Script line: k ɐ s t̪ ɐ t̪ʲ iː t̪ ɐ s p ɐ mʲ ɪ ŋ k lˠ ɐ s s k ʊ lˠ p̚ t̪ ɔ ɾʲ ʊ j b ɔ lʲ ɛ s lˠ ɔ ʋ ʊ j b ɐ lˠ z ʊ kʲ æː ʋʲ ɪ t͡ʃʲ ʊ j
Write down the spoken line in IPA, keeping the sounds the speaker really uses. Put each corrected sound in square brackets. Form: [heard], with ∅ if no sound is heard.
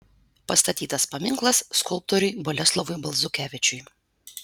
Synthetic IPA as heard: [p] ɐ s t̪ ɐ t̪ʲ iː t̪ ɐ s p ɐ mʲ ɪ ŋ k lˠ ɐ s s k ʊ lˠ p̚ t̪ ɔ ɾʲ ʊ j b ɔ lʲ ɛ s lˠ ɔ ʋ ʊ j b ɐ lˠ z ʊ kʲ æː ʋʲ ɪ t͡ʃʲ ʊ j